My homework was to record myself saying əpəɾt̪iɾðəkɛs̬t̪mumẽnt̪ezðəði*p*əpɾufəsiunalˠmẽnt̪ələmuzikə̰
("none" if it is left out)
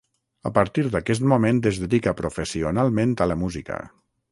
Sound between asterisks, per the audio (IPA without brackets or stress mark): k